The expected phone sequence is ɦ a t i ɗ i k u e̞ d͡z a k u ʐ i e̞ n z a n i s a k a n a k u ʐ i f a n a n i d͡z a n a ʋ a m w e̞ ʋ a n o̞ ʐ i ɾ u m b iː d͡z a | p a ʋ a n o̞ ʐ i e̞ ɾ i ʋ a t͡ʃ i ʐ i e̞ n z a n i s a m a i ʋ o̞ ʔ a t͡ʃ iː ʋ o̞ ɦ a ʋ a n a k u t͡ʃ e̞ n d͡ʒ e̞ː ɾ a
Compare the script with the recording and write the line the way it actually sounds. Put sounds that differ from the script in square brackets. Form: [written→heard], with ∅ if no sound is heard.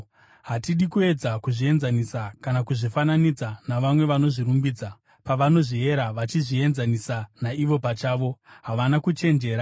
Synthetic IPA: ɦ a t i ɗ i k u e̞ d͡z a k u ʐ i e̞ n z a n i s a k a n a k u ʐ i f a n a n i d͡z a n a ʋ a m w e̞ ʋ a n o̞ ʐ i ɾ u m b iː d͡z a | p a ʋ a n o̞ ʐ i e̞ ɾ [i→a] ʋ a t͡ʃ i ʐ i e̞ n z a n i s a [m→n] a i ʋ o̞ [ʔ→p] a t͡ʃ [iː→aː] ʋ o̞ ɦ a ʋ a n a k u t͡ʃ e̞ n d͡ʒ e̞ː ɾ a